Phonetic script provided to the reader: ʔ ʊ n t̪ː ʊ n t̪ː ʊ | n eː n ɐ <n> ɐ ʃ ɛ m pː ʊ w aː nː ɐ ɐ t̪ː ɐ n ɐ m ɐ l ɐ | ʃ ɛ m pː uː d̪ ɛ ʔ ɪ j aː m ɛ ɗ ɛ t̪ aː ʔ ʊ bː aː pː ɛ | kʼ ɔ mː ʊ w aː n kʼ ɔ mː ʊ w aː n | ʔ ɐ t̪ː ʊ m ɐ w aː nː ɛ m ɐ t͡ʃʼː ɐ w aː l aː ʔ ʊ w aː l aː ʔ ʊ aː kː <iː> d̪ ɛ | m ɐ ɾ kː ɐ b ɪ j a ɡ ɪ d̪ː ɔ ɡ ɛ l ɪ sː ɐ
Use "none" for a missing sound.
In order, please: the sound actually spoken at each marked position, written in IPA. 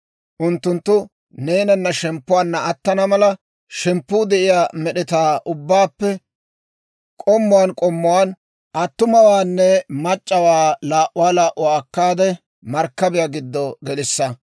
nː, aː

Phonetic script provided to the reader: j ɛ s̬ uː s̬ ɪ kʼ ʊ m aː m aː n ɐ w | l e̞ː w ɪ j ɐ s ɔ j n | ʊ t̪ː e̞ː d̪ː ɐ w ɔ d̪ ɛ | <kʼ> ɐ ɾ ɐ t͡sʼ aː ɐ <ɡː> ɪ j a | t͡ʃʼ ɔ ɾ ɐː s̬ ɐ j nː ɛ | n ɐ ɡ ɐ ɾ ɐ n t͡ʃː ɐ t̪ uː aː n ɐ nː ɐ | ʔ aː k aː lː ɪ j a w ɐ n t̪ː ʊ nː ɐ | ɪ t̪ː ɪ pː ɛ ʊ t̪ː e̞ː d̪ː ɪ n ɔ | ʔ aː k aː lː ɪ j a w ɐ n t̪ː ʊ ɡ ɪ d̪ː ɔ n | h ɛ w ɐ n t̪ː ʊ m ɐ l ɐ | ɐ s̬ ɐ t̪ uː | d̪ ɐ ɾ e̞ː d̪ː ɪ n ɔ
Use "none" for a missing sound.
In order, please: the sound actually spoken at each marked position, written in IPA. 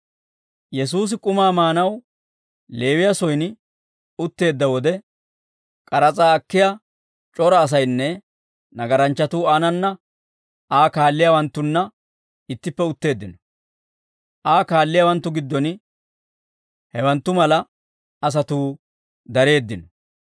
kʼ, kː

